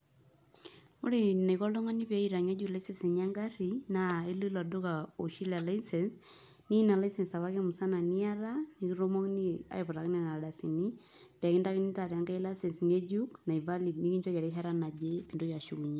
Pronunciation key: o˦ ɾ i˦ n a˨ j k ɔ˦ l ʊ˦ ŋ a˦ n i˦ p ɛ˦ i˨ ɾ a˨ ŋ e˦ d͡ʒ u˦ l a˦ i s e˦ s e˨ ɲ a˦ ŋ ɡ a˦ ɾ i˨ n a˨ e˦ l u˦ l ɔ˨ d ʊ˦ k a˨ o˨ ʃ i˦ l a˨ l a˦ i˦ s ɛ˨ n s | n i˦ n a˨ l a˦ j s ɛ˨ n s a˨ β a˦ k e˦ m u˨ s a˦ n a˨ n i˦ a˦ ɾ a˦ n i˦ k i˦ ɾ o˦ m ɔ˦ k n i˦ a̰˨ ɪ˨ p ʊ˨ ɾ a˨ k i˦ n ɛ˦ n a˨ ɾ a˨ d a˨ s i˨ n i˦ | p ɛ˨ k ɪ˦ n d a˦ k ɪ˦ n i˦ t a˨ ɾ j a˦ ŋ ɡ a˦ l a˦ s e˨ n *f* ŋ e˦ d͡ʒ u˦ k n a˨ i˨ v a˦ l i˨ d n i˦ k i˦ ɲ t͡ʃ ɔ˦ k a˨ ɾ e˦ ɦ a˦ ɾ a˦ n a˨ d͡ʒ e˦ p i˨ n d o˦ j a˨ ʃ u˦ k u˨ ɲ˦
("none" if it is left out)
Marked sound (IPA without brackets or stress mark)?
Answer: s